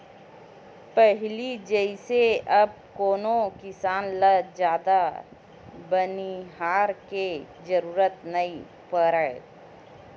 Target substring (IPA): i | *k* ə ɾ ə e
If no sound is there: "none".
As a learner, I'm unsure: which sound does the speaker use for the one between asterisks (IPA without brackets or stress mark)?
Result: p